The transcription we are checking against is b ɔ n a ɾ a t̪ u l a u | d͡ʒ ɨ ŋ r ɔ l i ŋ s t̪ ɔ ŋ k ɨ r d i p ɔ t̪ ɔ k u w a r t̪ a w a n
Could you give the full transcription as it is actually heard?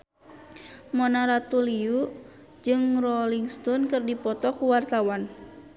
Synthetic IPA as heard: m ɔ n a ɾ a t̪ u l i u | d͡ʒ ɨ ŋ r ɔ l i ŋ s t̪ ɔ n k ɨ r d i p ɔ t̪ ɔ k u w a r t̪ a w a n